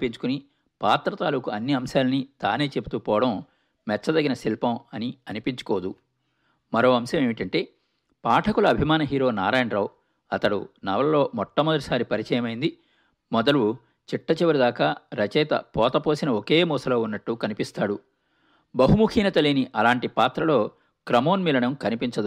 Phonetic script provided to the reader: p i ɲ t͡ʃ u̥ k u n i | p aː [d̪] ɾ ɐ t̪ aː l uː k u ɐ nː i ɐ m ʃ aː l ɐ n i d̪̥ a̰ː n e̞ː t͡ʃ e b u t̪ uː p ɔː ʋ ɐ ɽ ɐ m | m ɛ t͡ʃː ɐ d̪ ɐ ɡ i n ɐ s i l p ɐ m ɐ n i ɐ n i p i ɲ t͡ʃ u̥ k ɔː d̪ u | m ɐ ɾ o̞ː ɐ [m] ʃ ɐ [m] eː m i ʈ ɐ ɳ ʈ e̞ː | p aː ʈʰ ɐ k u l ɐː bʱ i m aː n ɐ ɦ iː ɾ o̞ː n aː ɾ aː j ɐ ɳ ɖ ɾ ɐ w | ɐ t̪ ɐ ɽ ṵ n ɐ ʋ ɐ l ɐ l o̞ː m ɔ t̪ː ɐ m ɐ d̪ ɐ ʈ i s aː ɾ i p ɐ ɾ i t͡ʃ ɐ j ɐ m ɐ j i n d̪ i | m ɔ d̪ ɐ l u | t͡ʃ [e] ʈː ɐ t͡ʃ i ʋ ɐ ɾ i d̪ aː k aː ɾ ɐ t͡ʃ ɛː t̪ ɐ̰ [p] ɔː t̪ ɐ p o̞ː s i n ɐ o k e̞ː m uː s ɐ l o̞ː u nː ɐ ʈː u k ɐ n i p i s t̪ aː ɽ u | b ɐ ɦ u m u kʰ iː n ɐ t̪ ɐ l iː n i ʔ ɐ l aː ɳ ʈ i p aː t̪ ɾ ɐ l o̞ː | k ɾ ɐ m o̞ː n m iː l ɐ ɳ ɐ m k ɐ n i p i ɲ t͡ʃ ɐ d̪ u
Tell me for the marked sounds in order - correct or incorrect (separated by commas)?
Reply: incorrect, correct, correct, incorrect, correct